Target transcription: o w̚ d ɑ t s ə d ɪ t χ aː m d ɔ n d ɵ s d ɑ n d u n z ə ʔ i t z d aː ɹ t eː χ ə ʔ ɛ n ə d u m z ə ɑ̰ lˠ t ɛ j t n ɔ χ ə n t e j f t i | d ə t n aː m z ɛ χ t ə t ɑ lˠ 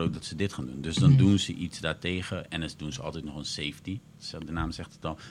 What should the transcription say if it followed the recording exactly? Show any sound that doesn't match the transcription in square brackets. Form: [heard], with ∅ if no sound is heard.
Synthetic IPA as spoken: o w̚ d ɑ t s ə d ɪ t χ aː [n] d [u] n d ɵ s d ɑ n d u n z ə ʔ i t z d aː ɹ t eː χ ə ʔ ɛ n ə d u [n] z ə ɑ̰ lˠ t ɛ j t n ɔ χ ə n [s] e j f t i | d ə [∅] n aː m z ɛ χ t ə t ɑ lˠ